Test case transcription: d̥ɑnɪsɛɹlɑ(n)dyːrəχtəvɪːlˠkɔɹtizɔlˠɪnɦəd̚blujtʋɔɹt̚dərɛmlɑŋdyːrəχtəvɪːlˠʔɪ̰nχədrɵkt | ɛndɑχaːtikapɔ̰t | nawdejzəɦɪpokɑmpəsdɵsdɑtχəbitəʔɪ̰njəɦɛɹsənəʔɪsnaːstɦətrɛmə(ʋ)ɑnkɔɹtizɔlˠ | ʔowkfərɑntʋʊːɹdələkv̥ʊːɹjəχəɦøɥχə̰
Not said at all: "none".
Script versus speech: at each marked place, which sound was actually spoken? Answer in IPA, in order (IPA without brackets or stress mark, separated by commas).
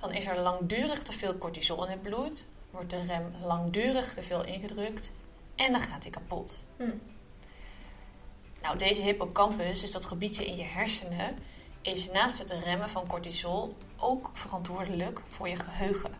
ŋ, v